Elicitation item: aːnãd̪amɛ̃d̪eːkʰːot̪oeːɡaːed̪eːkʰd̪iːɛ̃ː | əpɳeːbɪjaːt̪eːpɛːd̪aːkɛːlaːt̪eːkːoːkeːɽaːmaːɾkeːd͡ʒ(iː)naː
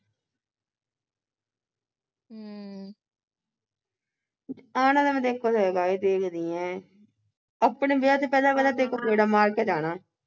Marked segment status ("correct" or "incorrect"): incorrect